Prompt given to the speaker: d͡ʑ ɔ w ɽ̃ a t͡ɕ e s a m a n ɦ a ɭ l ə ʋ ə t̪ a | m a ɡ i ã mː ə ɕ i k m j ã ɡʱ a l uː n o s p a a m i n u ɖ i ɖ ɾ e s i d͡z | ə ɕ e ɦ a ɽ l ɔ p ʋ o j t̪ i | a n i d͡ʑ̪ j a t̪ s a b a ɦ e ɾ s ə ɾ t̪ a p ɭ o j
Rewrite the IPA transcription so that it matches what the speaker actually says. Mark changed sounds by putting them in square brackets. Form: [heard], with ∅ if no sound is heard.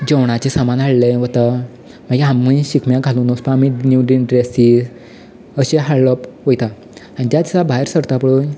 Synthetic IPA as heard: d͡ʑ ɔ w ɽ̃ a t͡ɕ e s a m a n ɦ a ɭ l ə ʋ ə t̪ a | m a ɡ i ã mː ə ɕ i k m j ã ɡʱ a l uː n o s p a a m i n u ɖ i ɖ ɾ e s i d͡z | ə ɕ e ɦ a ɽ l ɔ p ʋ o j t̪ [a] | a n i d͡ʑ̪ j a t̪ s a b a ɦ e ɾ s ə ɾ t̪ a p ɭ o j